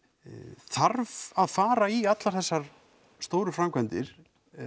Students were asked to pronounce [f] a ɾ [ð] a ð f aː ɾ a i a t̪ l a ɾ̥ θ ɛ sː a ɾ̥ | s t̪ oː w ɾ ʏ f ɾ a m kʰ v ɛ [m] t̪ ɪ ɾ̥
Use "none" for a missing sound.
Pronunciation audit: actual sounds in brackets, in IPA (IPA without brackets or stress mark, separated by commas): θ, v, n